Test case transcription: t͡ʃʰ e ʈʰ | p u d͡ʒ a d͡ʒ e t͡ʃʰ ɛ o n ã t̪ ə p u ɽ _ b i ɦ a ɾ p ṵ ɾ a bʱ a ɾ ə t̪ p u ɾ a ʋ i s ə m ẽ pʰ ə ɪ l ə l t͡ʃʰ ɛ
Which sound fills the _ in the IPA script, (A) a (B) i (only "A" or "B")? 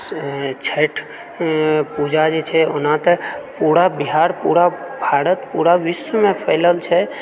A